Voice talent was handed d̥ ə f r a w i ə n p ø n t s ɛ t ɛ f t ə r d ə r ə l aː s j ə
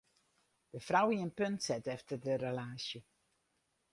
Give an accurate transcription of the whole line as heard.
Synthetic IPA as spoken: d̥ ə f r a w i ə n p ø n t s ɛ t ɛ f t ə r d ə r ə l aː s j ə